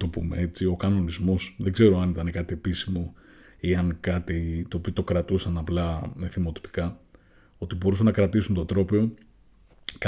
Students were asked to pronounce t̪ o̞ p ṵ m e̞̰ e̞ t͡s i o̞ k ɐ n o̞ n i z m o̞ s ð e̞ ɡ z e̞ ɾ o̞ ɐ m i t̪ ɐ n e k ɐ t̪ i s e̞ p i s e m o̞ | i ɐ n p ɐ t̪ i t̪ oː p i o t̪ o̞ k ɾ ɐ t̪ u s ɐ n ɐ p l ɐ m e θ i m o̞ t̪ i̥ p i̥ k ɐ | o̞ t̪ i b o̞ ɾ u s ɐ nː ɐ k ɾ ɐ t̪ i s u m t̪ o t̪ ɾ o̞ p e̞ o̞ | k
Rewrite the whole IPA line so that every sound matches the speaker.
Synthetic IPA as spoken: t̪ o̞ p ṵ m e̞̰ e̞ t͡s i o̞ k ɐ n o̞ n i z m o̞ s ð e̞ ɡ z e̞ ɾ o̞ ɐ n i t̪ ɐ n e k ɐ t̪ i e̞ p i s i m o̞ | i ɐ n k ɐ t̪ i t̪ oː p i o t̪ o̞ k ɾ ɐ t̪ u s ɐ n ɐ p l ɐ m e θ i m o̞ t̪ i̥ p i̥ k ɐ | o̞ t̪ i b o̞ ɾ u s ɐ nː ɐ k ɾ ɐ t̪ i s u n t̪ o t̪ ɾ o̞ p e̞ o̞ | k